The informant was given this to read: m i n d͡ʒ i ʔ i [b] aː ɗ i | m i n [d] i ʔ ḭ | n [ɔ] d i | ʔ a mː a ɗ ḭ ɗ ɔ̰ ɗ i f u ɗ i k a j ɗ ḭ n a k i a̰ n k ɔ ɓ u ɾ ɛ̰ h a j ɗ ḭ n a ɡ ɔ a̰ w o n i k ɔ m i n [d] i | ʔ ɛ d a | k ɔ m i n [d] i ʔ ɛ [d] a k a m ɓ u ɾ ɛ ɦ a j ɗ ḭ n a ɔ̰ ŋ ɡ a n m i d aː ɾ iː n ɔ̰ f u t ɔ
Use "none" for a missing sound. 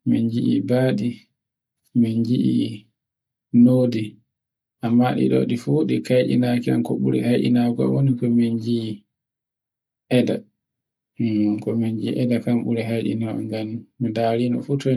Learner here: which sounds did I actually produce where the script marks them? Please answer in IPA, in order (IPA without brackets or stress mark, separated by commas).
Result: b, d͡ʒ, o, d͡ʒ, d͡ʒ, d